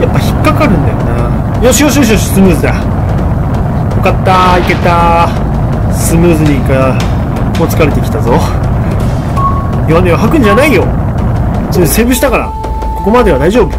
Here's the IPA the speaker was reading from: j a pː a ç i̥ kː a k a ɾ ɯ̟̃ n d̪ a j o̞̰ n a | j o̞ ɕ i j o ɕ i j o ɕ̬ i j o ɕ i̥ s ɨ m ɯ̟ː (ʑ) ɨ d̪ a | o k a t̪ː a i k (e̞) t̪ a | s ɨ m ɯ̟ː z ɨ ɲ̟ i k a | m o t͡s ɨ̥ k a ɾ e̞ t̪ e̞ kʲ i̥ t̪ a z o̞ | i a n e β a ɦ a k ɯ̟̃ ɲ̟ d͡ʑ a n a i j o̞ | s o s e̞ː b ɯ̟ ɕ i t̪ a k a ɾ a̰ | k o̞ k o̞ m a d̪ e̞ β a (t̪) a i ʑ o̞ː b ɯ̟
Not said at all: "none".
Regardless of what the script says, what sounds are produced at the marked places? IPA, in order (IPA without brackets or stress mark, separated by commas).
z, e̞, d̪